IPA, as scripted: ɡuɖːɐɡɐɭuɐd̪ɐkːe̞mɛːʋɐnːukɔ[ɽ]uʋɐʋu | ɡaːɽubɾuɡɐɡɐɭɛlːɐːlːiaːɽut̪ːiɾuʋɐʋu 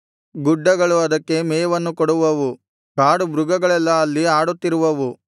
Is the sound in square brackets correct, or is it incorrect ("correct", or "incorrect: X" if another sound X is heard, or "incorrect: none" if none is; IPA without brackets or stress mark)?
correct